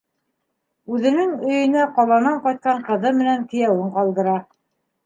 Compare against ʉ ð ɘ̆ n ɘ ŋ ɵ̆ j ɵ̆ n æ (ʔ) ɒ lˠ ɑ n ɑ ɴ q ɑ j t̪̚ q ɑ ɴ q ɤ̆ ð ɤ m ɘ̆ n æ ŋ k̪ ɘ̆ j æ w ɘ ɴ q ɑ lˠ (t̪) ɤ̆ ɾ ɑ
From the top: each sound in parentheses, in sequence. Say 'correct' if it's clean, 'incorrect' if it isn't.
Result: incorrect: q, incorrect: d̪

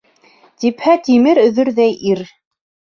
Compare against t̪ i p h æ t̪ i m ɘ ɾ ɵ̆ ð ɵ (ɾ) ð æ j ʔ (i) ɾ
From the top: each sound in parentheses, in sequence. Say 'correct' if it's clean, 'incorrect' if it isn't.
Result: correct, correct

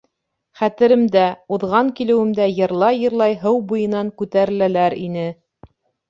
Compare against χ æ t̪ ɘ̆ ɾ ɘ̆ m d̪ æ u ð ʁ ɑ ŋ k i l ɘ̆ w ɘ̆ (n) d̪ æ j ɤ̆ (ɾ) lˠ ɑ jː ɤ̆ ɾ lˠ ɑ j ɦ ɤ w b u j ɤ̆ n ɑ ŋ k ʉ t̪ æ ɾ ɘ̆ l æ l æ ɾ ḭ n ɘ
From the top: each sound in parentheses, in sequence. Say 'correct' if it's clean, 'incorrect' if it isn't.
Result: incorrect: m, correct

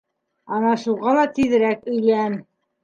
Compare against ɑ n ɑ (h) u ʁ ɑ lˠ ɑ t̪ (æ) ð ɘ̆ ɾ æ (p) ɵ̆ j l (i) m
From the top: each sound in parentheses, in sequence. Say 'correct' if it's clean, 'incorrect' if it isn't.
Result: incorrect: ʃ, incorrect: i, incorrect: k, incorrect: æ

